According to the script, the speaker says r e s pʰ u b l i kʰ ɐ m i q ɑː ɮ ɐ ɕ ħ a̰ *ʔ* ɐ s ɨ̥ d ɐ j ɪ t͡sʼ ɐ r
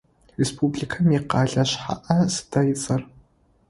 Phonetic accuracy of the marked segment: correct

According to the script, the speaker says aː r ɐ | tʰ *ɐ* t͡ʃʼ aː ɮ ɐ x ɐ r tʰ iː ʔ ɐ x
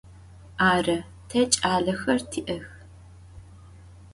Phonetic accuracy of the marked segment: correct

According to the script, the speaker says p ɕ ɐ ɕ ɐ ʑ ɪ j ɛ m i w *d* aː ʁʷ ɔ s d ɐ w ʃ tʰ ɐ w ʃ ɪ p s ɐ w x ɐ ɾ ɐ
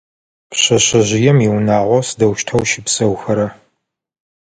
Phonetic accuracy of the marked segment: incorrect: n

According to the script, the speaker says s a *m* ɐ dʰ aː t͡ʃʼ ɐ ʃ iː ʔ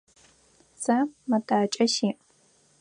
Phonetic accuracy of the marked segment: correct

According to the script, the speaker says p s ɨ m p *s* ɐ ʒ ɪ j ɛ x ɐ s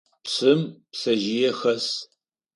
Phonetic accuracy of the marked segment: correct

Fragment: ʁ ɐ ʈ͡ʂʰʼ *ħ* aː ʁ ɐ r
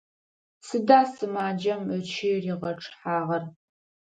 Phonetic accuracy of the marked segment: correct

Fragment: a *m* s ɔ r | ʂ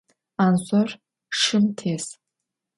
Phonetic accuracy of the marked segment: incorrect: n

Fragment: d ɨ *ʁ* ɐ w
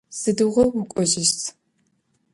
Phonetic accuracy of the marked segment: correct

